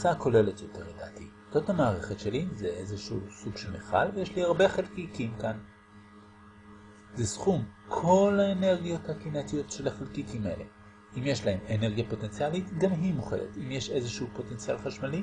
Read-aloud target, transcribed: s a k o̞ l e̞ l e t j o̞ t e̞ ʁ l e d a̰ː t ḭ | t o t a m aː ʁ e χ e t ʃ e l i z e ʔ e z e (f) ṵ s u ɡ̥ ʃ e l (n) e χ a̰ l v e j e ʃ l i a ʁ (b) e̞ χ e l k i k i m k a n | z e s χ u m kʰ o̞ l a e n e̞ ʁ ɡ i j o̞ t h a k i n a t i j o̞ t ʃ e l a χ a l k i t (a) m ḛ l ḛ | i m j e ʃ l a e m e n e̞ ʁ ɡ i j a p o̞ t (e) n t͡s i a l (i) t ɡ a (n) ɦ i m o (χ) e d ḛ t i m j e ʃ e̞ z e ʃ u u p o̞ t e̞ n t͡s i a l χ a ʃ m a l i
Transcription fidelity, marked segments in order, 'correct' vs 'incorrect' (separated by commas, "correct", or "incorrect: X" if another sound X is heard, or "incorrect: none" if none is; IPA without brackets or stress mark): incorrect: ʃ, incorrect: m, correct, incorrect: i, correct, correct, incorrect: m, correct